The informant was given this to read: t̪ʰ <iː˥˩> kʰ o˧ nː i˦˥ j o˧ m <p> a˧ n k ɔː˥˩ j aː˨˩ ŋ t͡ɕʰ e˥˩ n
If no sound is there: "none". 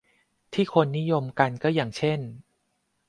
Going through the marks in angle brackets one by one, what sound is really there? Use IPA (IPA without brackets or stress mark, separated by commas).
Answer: iː˥˩, k